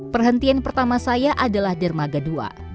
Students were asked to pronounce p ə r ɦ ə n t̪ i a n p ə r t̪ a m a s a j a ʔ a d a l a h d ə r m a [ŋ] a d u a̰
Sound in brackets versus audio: incorrect: ɡ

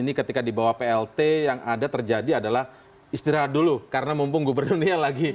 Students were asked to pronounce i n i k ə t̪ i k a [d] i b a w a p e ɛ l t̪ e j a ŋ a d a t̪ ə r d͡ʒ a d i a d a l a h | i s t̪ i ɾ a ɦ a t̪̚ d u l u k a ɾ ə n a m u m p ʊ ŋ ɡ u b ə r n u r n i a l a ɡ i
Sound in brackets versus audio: correct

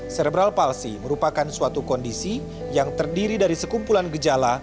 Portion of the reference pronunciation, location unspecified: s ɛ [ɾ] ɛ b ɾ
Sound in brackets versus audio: correct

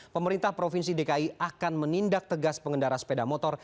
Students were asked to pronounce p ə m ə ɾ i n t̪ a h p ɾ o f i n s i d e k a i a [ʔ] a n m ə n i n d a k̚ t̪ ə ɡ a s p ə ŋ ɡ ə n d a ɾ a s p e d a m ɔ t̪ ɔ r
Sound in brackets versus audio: incorrect: k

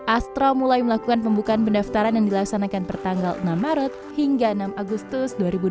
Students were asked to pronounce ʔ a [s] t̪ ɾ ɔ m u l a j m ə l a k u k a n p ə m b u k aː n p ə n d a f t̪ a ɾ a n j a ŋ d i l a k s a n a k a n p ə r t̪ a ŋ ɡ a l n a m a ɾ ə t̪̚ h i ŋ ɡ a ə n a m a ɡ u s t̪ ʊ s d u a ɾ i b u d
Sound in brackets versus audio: correct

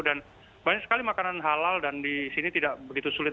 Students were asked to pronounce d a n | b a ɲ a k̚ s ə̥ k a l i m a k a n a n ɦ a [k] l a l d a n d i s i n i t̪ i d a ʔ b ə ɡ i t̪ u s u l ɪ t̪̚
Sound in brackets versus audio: incorrect: none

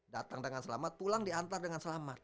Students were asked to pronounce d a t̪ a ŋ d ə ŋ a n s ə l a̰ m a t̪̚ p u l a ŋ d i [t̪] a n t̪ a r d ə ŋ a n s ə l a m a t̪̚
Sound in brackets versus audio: incorrect: none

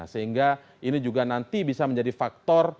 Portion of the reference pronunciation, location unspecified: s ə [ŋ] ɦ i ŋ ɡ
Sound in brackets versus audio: incorrect: none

